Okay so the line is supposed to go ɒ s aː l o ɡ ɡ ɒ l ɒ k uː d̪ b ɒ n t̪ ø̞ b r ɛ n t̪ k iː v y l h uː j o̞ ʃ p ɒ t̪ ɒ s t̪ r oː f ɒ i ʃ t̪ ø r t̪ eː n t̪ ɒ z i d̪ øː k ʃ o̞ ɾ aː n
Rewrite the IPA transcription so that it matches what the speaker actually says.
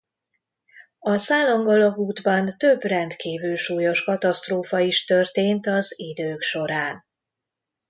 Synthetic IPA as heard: ɒ s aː l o ŋ ɡ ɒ l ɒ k uː d̪ b ɒ n t̪ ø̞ b r ɛ n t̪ k iː v y l ʃ uː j o̞ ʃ k ɒ t̪ ɒ s t̪ r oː f ɒ i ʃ t̪ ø r t̪ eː n t̪ ɒ z i d̪ øː k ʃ o̞ ɾ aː n